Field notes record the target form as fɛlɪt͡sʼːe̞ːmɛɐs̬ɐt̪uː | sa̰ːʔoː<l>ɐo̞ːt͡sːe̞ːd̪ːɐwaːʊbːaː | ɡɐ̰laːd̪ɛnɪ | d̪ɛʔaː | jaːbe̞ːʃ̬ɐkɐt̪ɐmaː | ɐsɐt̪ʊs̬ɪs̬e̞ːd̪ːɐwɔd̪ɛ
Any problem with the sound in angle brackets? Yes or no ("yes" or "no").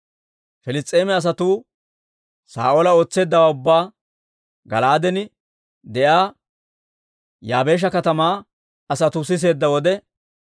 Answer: no